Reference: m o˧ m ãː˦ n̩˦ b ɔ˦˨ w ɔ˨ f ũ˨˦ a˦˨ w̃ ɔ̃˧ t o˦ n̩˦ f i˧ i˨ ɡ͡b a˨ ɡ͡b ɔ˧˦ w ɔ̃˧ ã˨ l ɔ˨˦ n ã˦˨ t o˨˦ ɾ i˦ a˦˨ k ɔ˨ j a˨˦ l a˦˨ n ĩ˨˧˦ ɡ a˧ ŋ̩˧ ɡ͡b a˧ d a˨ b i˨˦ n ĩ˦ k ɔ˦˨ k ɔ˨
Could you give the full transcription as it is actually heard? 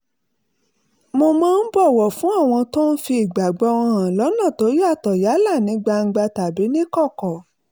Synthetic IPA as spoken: m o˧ m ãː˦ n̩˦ b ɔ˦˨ w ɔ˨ f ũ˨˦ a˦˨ w̃ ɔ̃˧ t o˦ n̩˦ f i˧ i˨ ɡ͡b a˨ ɡ͡b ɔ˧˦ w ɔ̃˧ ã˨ l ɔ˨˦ n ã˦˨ t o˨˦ ɾ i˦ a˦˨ t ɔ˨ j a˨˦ l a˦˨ n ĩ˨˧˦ ɡ͡b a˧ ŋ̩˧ ɡ͡b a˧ t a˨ b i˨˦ n ĩ˦ k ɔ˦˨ k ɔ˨